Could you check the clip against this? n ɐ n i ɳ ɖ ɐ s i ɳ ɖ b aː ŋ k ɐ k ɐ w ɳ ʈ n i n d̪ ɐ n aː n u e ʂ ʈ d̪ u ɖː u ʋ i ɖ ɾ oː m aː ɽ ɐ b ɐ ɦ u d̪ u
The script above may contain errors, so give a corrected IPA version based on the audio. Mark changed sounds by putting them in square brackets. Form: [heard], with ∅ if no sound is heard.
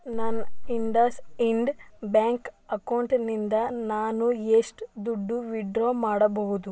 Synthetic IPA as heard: n ɐ n i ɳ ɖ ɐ s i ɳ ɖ b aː ŋ k ɐ k ɐ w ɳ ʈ n i n d̪ ɐ n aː n u e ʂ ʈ d̪ u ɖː u ʋ i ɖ ɾ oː m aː ɽ ɐ b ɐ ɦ u d̪ u